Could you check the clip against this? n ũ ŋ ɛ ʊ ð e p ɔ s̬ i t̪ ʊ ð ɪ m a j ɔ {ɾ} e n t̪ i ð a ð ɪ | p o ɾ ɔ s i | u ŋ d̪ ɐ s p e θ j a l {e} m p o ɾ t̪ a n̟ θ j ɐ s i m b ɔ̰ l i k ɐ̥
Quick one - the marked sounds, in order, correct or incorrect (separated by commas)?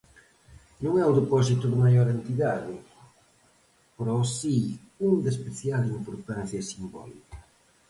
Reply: correct, incorrect